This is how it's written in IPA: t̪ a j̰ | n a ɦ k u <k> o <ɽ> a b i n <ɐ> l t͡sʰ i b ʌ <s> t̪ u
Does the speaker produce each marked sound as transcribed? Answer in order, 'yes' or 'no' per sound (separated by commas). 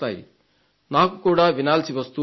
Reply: yes, yes, no, yes